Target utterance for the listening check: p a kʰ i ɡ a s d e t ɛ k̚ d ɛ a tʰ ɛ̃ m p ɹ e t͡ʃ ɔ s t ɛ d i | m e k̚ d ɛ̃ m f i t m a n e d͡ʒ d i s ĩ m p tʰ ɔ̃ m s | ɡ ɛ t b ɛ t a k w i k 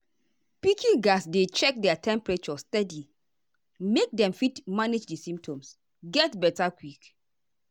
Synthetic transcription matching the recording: p i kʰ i ɡ a s d e t͡ʃ ɛ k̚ d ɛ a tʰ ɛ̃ m p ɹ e t͡ʃ ɔ s t ɛ d i | m e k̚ d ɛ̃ m f i t m a n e d͡ʒ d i s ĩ m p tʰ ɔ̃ m s | ɡ ɛ t b ɛ t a k w i k